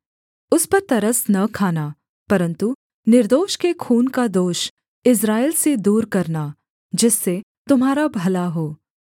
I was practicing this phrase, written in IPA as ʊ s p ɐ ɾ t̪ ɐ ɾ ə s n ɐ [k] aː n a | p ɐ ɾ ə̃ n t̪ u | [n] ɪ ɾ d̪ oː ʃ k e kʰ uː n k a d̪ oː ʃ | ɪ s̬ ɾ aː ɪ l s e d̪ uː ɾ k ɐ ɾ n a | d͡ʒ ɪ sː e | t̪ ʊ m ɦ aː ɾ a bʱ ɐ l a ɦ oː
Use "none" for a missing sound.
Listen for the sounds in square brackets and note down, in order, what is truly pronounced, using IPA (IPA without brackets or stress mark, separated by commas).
kʰ, n